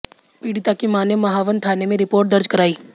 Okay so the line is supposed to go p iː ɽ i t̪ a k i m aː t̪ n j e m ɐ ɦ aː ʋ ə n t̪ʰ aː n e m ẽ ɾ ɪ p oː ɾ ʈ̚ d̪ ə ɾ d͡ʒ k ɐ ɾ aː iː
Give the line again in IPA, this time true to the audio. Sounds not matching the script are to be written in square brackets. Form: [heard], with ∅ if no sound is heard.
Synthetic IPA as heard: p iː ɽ i t̪ a k i m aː [∅] n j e m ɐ ɦ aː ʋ ə n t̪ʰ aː n e m ẽ ɾ ɪ p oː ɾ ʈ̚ d̪ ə ɾ d͡ʒ k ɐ ɾ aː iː